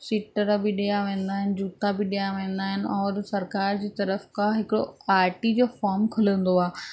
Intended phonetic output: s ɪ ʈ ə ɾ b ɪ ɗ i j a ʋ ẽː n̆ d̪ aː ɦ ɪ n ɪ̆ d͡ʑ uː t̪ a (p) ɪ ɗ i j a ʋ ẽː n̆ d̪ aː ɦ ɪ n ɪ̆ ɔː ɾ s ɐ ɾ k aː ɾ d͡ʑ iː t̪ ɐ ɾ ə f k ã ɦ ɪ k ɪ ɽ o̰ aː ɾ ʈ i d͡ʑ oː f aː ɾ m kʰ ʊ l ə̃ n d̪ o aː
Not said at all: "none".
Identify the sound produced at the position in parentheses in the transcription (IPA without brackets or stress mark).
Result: b